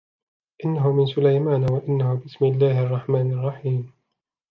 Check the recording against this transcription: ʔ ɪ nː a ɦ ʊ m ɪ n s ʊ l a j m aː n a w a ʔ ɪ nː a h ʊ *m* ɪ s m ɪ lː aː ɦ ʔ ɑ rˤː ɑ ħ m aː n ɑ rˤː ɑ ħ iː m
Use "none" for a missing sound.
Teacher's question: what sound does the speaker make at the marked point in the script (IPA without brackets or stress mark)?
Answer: b